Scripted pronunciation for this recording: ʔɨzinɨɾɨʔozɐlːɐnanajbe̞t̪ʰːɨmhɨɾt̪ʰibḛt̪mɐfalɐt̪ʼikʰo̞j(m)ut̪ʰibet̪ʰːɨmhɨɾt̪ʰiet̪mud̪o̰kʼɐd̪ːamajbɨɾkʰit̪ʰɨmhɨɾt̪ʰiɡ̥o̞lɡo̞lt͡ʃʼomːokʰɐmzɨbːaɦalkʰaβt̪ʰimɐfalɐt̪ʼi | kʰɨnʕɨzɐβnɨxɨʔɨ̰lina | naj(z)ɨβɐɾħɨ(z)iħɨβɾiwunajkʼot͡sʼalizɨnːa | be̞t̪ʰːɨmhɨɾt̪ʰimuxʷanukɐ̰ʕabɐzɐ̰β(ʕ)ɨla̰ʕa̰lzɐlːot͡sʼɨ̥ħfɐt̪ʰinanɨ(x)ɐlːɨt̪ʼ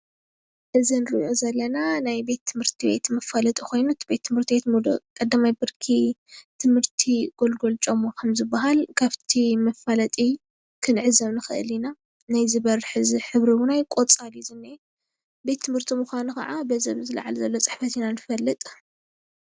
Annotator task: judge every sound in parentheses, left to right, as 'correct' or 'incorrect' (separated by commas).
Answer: incorrect, correct, correct, incorrect, incorrect